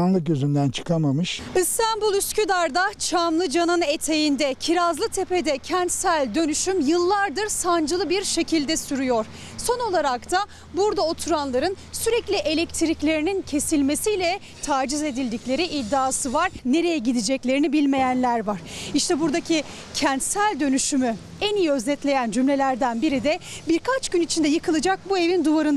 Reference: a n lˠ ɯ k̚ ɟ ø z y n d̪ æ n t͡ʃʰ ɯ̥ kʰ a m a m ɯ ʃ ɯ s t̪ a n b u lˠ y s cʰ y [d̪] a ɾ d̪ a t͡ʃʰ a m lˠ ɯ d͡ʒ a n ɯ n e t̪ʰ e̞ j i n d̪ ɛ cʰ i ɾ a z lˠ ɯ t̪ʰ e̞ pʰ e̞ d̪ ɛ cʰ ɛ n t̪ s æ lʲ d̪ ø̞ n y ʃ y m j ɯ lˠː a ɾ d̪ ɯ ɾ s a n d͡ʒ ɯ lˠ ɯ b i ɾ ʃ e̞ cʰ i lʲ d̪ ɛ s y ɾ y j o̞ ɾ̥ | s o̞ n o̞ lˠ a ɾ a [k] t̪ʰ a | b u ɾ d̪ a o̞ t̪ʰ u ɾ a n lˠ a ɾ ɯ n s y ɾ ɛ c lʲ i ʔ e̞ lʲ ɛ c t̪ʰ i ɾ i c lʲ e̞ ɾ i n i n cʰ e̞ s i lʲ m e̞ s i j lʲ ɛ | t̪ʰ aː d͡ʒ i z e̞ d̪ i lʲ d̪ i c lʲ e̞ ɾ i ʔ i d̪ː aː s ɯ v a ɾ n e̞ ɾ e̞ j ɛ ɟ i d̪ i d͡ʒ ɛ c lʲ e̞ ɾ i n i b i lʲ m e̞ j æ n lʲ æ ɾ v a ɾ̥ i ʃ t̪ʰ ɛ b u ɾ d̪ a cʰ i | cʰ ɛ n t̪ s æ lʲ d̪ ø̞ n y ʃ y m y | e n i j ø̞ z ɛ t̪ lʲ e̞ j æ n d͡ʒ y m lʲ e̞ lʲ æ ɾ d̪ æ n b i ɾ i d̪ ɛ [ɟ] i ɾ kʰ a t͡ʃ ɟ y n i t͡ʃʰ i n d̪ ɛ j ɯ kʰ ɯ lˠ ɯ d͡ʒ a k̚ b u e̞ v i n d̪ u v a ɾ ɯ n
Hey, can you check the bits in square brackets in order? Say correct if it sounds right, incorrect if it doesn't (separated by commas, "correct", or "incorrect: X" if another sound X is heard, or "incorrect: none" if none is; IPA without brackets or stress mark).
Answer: correct, correct, incorrect: b